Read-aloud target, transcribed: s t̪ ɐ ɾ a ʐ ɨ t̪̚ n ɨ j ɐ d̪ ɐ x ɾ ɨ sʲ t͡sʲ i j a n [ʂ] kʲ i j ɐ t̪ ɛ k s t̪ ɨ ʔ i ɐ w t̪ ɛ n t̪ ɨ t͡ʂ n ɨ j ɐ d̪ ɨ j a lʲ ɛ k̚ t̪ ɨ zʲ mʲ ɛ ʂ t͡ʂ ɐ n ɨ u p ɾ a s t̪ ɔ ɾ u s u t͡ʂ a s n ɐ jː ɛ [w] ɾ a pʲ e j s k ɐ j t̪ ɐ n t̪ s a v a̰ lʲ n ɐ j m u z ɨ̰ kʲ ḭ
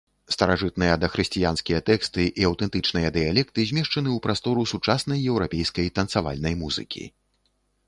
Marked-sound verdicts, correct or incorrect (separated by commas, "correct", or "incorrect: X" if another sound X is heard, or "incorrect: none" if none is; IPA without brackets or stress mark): incorrect: s, correct